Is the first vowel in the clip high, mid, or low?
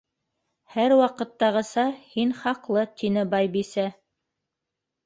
low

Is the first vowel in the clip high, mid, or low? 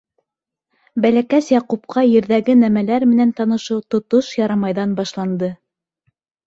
low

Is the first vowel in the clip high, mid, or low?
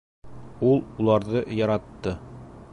high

